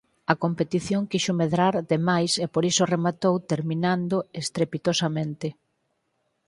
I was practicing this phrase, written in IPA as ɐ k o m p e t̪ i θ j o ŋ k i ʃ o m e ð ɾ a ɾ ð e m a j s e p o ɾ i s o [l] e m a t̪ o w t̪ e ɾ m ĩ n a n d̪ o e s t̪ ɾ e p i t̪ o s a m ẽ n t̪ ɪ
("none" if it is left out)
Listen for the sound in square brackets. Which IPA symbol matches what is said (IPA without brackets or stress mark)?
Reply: r